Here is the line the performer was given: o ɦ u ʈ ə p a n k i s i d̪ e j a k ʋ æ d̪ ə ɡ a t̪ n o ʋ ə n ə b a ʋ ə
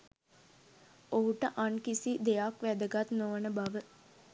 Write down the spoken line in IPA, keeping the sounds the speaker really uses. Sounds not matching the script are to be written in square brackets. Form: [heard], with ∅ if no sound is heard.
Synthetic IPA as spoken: o ɦ u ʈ ə [ʔ] a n k i s i d̪ e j a k ʋ æ d̪ ə ɡ a t̪ n o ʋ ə n ə b a ʋ ə